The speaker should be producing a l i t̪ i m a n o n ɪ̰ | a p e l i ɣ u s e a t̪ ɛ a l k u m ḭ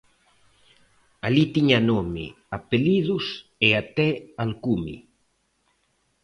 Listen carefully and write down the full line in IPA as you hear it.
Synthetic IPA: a l i t̪ i ɲ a n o m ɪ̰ | a p e l i ð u s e a t̪ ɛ a l k u m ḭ